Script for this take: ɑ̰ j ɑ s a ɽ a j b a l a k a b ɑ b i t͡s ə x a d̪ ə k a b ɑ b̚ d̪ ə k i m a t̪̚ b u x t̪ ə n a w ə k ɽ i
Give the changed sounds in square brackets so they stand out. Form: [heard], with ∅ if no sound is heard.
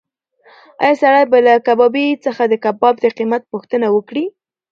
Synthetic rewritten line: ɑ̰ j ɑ s a ɽ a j b a l a k a b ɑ b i t͡s ə x a d̪ ə k a b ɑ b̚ d̪ ə [q] i m a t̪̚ [p] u x t̪ ə n a w ə k ɽ i